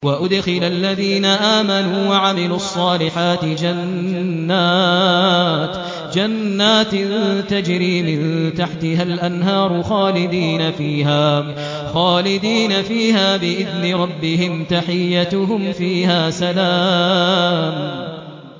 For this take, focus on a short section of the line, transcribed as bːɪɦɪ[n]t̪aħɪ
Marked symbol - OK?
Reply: no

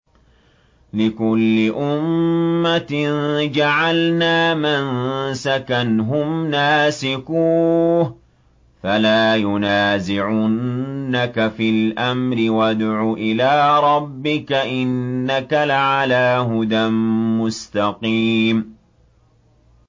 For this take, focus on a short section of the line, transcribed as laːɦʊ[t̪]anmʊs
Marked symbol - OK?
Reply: no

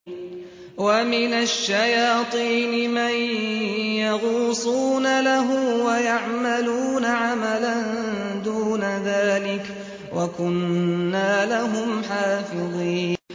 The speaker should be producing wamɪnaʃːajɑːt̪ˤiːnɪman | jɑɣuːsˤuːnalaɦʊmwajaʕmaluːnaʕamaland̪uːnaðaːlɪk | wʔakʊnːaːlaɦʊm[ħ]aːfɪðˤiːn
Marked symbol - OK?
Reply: yes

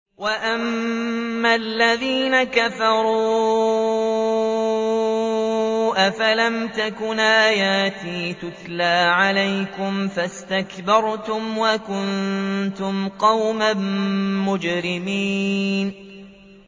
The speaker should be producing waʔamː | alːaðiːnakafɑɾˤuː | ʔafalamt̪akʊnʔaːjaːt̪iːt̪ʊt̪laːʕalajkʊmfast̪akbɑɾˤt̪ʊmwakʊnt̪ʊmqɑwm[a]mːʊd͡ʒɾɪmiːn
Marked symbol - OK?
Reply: yes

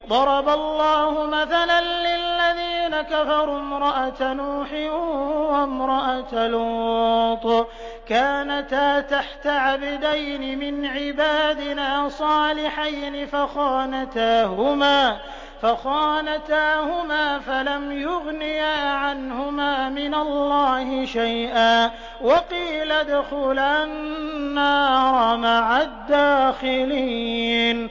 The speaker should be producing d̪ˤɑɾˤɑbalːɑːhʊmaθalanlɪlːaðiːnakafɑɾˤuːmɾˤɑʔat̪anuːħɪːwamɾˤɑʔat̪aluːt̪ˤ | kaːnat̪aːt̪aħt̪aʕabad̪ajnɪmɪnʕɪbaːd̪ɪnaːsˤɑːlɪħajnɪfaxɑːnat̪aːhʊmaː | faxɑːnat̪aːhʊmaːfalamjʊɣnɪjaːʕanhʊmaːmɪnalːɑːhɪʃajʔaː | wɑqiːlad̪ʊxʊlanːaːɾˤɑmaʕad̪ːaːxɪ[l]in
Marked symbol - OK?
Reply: yes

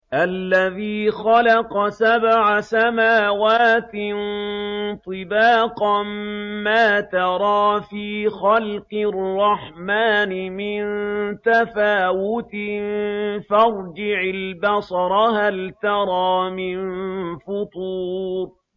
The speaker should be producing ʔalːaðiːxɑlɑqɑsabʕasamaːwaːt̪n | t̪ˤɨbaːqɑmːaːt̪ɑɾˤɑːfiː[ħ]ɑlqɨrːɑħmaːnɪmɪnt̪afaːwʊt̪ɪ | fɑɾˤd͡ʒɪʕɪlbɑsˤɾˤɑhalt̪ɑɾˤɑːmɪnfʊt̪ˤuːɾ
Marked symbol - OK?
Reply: no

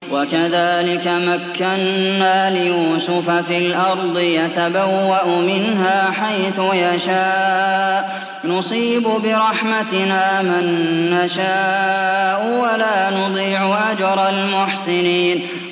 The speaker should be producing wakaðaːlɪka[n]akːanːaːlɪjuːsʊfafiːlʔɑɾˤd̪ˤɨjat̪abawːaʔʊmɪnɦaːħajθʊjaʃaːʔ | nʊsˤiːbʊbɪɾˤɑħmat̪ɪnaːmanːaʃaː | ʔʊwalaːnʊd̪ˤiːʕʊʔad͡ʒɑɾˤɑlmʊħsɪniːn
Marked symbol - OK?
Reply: no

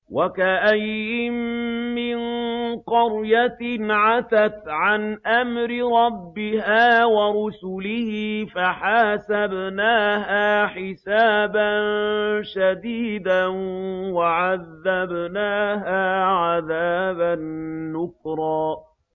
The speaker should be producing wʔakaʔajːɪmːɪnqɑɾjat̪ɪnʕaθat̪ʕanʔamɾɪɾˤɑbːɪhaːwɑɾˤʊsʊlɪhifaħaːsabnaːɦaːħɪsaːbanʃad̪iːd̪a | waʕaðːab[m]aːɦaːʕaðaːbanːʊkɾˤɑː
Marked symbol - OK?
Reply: no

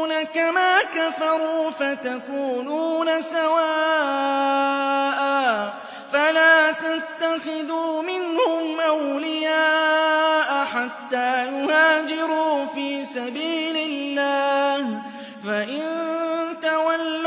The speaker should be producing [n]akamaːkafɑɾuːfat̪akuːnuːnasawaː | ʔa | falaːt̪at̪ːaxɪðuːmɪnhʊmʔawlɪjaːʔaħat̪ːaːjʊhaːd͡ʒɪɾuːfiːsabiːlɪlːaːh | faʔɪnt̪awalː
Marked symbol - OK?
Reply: yes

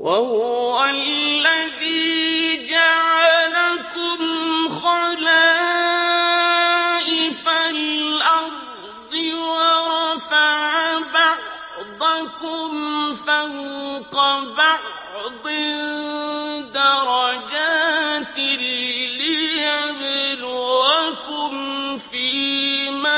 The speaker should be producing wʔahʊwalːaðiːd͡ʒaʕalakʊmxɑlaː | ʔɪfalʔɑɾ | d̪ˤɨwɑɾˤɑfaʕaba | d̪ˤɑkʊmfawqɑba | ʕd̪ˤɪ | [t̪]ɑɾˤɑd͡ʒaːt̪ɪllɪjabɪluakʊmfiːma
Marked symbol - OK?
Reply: no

